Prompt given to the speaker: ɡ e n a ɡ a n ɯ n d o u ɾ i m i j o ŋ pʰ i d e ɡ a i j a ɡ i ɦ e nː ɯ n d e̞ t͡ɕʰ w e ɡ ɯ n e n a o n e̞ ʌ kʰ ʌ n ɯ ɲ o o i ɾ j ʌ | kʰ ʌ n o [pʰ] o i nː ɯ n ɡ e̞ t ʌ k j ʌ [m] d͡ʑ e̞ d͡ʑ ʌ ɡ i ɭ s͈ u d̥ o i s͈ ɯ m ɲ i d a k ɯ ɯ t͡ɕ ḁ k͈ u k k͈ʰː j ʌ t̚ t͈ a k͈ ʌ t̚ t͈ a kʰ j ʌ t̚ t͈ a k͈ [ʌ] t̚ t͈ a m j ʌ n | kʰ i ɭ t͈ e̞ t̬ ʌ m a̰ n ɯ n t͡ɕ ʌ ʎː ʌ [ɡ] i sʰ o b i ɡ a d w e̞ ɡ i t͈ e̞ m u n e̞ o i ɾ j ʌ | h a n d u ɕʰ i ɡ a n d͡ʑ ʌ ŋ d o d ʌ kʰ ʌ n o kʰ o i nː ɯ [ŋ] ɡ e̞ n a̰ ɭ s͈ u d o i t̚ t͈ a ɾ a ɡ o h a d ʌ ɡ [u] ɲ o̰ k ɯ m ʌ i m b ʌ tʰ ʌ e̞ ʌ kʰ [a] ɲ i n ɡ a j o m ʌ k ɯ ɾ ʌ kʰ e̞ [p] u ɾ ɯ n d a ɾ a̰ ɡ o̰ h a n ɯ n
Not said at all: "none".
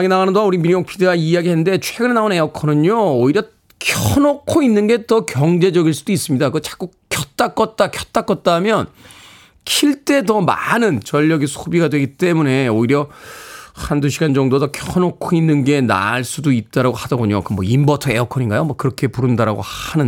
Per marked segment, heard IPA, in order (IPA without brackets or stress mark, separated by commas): kʰ, ŋ, ʌ, ɡ, n, o, ʌ, p